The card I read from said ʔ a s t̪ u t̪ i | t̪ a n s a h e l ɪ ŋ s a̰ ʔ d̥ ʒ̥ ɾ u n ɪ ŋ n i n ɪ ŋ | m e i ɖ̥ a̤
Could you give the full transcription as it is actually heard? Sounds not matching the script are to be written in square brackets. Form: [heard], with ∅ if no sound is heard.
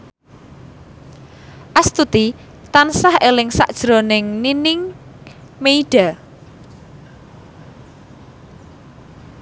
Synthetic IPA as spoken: ʔ a s t̪ u t̪ i | t̪ a n s a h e l ɪ ŋ s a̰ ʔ d̥ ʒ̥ ɾ [o] n ɪ ŋ n i n ɪ ŋ | m e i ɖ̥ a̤